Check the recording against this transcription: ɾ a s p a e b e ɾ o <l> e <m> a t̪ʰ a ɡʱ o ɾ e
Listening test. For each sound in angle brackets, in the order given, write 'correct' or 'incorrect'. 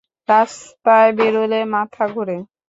correct, correct

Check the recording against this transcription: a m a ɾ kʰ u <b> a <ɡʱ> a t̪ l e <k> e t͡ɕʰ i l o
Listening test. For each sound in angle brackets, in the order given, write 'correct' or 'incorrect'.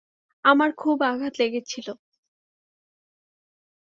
correct, correct, incorrect

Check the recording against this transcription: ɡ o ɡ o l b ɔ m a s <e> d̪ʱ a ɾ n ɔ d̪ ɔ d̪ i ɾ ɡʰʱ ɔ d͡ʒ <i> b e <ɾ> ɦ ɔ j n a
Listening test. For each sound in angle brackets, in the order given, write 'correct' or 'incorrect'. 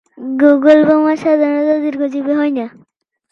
incorrect, correct, incorrect

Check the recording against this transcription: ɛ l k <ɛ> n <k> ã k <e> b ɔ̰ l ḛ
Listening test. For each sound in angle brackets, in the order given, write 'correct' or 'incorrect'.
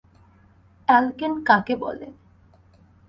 incorrect, correct, correct

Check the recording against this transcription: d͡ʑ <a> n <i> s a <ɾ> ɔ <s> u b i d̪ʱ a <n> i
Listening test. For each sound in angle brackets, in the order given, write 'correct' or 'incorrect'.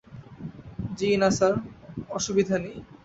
incorrect, incorrect, correct, incorrect, correct

